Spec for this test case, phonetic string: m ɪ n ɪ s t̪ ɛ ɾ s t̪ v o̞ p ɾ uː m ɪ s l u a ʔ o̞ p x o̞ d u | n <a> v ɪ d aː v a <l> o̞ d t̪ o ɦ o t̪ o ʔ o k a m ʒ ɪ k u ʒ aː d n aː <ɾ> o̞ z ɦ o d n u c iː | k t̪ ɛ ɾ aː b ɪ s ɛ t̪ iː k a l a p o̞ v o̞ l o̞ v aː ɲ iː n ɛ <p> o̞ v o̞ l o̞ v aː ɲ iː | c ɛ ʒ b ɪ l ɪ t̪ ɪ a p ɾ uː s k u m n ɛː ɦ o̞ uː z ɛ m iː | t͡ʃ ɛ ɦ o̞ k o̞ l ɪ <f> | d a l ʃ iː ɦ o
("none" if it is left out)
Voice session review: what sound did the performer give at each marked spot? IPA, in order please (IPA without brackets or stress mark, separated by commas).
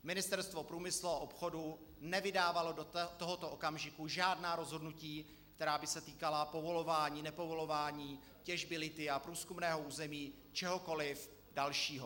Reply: ɛ, l, ɾ, p, f